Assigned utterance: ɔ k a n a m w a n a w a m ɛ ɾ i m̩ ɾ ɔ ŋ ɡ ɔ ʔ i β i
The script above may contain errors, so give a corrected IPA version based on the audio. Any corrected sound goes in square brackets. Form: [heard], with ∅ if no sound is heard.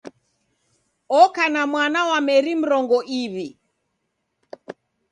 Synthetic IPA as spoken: ɔ k a n a m w a n a w a m ɛ ɾ i m̩ ɾ ɔ ŋ ɡ ɔ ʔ i β i